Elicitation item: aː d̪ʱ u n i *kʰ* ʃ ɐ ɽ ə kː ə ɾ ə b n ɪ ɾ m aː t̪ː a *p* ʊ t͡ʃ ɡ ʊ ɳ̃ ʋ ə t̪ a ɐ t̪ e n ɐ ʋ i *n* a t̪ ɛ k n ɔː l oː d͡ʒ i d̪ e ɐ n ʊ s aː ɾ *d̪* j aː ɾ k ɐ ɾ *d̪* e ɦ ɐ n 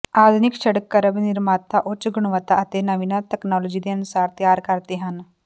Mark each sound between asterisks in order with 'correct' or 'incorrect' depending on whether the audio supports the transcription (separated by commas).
incorrect, incorrect, correct, incorrect, incorrect